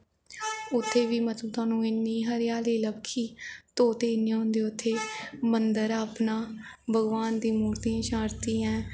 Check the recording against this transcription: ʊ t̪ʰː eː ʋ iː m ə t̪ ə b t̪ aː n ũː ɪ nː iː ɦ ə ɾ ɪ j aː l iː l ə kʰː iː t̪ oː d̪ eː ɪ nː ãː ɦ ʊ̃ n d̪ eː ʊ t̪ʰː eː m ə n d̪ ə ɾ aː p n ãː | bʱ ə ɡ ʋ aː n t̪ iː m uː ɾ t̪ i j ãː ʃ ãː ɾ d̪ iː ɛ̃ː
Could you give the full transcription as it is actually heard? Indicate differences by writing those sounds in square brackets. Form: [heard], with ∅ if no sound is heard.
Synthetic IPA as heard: ʊ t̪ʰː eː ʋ iː m ə t̪ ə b t̪ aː n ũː ɪ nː iː ɦ ə ɾ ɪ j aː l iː l ə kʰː iː t̪ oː [t̪] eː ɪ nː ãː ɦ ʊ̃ n d̪ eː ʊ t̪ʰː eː m ə n d̪ ə ɾ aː p n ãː | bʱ ə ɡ ʋ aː n [d̪] iː m uː ɾ t̪ i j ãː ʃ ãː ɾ [t̪] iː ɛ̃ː